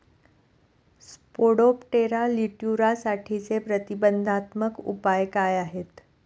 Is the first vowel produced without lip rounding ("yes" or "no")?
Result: no